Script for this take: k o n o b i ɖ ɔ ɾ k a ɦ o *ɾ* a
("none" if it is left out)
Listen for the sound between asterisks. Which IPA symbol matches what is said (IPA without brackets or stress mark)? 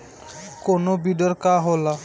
l